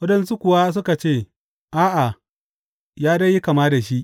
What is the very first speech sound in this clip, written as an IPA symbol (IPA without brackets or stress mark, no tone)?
w